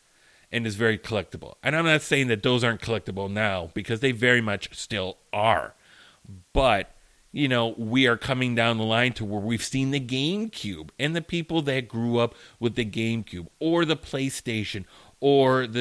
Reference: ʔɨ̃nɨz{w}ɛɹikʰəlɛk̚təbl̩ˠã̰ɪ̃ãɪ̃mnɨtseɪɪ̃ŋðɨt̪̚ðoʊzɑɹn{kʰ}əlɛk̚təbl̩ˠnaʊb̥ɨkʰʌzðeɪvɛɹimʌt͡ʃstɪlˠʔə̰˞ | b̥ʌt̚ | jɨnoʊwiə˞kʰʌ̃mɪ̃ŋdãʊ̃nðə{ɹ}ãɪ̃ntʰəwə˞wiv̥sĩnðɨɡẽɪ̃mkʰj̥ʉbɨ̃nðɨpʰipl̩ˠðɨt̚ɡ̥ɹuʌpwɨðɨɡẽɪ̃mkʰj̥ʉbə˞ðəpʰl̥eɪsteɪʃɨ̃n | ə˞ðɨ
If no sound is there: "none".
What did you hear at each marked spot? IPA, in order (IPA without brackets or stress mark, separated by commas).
v, kʰ, l